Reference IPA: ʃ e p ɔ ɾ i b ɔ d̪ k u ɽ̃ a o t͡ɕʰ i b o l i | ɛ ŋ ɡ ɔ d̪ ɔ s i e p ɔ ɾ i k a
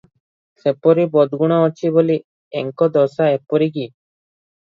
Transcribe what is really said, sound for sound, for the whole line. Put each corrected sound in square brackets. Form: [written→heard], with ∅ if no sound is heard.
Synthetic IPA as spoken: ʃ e p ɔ ɾ i b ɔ d̪ [k→ɡ] u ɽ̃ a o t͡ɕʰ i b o l i | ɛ ŋ [ɡ→k] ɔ d̪ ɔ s [i→a] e p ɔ ɾ i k [a→i]